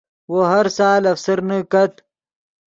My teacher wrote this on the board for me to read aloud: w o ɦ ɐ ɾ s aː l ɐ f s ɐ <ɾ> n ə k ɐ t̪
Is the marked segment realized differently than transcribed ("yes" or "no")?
no